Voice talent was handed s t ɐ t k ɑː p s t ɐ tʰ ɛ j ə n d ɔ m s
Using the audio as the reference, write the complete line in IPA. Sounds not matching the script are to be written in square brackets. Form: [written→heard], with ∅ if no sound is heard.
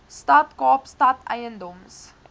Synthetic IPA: s t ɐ t k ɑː p s t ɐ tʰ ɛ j ə n d ɔ m s